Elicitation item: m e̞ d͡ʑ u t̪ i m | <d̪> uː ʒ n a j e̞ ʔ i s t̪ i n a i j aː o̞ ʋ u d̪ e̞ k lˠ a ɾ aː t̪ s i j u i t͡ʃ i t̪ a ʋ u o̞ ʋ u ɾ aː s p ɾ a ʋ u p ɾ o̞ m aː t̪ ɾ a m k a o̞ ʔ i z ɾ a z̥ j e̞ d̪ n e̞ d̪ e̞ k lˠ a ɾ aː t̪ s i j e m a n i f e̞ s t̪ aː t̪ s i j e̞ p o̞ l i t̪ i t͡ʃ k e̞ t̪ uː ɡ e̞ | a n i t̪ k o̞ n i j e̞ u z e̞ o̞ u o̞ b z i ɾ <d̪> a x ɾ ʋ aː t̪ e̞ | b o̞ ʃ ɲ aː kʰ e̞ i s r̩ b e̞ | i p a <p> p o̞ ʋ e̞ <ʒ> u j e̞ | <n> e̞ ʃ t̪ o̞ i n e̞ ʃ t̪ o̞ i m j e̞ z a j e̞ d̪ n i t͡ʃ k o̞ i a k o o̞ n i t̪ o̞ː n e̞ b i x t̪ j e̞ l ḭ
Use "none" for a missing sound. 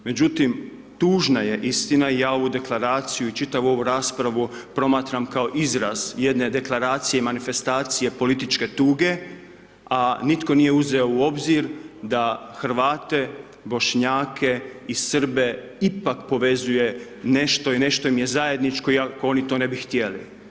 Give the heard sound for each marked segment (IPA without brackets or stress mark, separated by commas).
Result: t̪, d̪, k, z, n